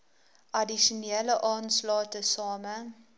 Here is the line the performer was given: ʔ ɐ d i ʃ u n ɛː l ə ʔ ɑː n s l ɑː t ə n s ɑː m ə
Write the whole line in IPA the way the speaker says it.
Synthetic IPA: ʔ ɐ d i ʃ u n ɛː l ə ʔ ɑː n s l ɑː t ə s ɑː m ə

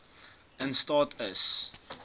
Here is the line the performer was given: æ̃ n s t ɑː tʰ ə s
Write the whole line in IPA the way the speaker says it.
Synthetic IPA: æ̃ n s t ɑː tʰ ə s

